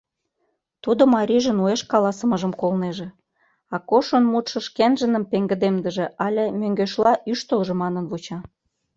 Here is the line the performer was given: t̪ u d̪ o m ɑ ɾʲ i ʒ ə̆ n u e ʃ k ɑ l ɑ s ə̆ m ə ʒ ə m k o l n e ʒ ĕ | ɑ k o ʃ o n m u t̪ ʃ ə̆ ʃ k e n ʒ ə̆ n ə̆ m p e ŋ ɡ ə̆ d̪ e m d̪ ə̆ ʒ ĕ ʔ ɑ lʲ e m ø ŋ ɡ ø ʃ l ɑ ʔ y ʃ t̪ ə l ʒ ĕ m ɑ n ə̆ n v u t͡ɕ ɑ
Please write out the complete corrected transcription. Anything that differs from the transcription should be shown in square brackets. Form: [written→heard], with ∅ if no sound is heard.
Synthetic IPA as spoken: t̪ u d̪ o m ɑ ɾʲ i ʒ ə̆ n u e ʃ k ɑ l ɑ s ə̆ m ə ʒ ə m k o l n e ʒ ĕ | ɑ k o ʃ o n m u t̪ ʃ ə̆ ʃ k e n ʒ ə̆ n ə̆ m p e ŋ ɡ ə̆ d̪ e m d̪ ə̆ ʒ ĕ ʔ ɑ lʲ e m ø ŋ ɡ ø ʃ l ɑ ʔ y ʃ t̪ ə l ʒ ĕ m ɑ n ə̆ n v u t͡ɕ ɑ